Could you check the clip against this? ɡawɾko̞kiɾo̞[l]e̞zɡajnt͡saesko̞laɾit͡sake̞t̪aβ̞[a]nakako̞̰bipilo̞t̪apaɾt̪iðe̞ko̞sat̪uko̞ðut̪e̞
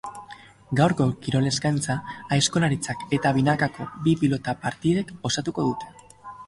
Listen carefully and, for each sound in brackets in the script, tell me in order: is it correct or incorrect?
correct, incorrect: i

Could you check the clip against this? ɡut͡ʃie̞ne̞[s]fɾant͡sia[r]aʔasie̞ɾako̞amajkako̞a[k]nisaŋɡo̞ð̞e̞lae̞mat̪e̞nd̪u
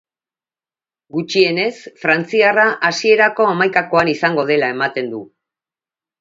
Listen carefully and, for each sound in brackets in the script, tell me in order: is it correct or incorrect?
correct, correct, incorrect: none

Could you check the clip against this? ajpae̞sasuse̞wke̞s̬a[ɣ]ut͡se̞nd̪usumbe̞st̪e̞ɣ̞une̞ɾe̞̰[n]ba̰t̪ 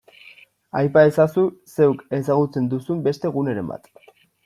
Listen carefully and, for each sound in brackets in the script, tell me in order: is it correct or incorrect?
correct, incorrect: m

